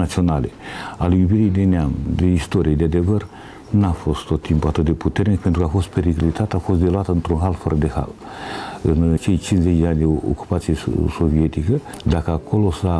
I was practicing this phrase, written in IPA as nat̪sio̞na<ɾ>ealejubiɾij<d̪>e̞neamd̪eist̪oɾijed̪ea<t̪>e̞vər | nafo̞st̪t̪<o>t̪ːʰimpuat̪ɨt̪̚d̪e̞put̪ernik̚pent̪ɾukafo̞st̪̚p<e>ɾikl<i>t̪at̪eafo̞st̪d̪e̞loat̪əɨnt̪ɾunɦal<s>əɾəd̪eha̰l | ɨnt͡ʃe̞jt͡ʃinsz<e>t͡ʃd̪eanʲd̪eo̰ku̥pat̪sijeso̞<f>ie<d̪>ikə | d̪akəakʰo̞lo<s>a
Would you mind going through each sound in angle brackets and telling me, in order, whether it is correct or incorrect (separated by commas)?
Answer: incorrect, correct, incorrect, correct, correct, correct, incorrect, correct, incorrect, incorrect, correct